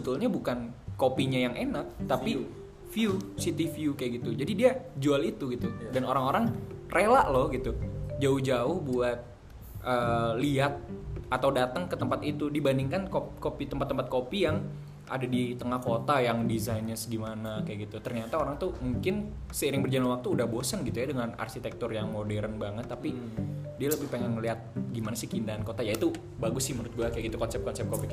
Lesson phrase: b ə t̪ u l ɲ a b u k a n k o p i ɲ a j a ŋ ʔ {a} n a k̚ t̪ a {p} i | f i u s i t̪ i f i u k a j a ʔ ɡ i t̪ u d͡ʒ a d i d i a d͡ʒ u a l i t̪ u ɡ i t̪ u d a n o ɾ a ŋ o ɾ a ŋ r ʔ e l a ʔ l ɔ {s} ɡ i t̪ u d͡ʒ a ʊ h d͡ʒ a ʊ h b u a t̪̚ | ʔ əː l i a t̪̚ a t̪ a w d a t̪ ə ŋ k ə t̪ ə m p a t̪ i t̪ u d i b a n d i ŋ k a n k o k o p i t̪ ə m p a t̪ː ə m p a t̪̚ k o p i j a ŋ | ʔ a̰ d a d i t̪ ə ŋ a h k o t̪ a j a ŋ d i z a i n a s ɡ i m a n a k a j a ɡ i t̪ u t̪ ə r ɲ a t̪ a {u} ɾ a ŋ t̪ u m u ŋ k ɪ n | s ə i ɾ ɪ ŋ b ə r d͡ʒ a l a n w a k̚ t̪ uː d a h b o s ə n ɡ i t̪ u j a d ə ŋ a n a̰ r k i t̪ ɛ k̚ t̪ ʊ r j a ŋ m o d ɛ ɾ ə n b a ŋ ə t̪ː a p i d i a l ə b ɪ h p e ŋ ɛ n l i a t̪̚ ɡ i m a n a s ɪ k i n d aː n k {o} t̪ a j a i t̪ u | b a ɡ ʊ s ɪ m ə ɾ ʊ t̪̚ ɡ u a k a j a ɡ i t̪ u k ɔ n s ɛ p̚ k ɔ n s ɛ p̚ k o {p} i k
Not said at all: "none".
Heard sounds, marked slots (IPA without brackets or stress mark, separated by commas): e, p, h, o, o, p